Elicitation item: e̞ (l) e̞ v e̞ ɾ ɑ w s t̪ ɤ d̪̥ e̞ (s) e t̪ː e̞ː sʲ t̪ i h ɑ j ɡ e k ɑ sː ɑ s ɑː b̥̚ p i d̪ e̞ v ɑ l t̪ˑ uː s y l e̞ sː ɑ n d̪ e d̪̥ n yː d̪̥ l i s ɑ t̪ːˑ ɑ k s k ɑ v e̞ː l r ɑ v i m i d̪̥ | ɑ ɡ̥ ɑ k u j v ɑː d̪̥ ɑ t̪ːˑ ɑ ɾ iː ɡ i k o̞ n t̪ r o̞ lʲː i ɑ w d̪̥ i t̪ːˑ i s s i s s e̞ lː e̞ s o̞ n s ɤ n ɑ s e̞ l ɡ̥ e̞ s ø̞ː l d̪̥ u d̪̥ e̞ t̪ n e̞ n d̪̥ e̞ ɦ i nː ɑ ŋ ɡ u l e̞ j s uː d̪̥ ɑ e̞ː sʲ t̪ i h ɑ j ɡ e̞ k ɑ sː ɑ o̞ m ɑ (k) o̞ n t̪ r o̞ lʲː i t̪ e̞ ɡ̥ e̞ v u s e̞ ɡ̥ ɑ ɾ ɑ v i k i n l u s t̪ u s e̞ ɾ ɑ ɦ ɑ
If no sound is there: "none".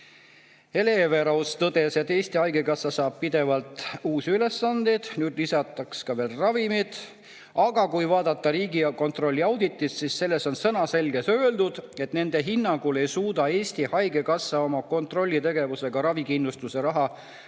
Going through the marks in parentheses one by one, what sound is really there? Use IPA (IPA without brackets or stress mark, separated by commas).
l, s, k